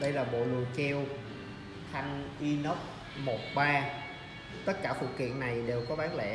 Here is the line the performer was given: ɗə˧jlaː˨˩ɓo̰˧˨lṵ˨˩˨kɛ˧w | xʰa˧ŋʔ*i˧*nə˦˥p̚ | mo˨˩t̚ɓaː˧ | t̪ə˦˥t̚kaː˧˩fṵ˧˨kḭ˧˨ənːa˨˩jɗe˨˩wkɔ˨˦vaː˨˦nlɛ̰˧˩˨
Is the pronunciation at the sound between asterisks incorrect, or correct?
correct